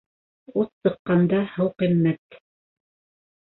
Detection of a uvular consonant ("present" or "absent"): present